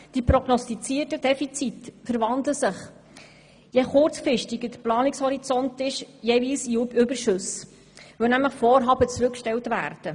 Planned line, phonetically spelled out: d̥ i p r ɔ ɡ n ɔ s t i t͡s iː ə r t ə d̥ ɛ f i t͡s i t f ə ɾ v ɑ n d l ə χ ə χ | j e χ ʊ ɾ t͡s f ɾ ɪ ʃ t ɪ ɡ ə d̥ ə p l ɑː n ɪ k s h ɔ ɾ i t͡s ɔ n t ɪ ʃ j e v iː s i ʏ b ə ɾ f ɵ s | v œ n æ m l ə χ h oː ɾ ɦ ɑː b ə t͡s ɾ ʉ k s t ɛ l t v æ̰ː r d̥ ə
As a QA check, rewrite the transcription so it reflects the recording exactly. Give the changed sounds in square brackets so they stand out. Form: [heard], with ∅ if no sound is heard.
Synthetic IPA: d̥ i p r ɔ ɡ n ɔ s t i t͡s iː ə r t ə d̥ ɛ f i t͡s i t f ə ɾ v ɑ n d l ə [s] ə χ | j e χ ʊ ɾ t͡s f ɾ ɪ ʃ t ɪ ɡ ə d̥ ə p l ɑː n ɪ k s h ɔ ɾ i t͡s ɔ n t ɪ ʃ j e v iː s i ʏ b ə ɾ [ʃ] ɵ s | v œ n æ m l ə χ [f] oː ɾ ɦ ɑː b ə t͡s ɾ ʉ k [ʃ] t ɛ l t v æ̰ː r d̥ ə